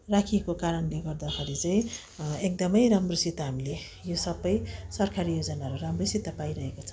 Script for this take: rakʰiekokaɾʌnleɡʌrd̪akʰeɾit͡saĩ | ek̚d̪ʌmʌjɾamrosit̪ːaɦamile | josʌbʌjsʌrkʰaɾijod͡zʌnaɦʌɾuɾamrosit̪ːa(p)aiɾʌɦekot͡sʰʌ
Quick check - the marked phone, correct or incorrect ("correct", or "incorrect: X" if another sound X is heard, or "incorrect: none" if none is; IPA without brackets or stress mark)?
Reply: correct